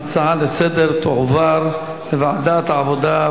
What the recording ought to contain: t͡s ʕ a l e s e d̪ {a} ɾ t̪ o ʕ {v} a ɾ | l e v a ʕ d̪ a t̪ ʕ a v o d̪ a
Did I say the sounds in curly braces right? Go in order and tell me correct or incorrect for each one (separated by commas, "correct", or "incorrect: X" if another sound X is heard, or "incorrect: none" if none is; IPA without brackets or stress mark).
incorrect: e, correct